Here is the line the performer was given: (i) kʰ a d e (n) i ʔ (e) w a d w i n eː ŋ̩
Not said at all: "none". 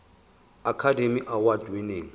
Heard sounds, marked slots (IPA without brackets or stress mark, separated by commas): a, m, a